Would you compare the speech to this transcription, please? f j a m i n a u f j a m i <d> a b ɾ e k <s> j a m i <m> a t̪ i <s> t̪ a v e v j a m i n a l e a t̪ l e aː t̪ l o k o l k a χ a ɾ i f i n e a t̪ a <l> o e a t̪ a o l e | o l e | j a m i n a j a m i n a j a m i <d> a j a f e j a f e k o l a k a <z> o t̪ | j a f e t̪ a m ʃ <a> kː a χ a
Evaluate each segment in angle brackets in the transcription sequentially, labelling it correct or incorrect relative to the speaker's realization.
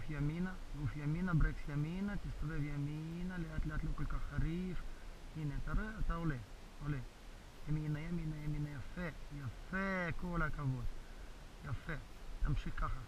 incorrect: n, correct, incorrect: n, correct, incorrect: ɾ, incorrect: n, incorrect: v, incorrect: i

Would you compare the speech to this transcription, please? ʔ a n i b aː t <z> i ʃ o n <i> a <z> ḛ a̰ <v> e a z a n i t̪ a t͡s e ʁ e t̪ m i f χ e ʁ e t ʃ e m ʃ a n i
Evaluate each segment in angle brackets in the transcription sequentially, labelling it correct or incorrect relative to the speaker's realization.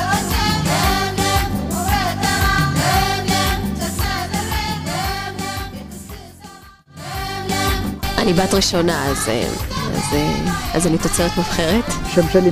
incorrect: ʁ, incorrect: a, correct, incorrect: z

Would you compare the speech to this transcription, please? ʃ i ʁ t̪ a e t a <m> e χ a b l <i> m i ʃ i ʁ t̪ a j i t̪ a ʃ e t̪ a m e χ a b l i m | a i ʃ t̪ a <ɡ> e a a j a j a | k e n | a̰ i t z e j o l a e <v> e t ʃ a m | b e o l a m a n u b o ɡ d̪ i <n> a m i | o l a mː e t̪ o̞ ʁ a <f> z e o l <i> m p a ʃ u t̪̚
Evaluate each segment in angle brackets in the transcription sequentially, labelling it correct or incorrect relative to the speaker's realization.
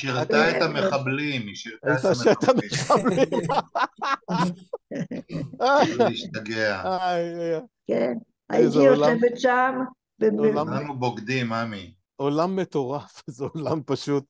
correct, correct, correct, correct, incorrect: m, correct, incorrect: a

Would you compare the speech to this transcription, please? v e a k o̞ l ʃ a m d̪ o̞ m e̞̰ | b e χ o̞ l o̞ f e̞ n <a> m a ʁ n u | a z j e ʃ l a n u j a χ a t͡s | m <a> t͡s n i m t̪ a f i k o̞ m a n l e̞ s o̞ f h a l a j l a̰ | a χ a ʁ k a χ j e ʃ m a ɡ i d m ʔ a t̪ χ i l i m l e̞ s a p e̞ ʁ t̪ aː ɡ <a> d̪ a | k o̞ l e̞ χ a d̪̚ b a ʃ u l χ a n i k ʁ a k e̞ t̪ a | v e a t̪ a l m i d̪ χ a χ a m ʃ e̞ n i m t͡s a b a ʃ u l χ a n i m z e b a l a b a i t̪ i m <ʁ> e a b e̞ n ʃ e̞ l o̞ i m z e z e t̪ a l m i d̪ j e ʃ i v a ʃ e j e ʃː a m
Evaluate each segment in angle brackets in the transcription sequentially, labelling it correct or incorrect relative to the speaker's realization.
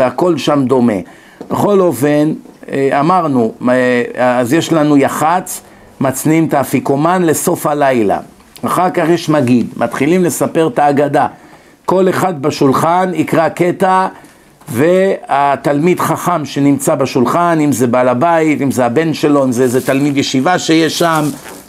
correct, correct, correct, incorrect: z

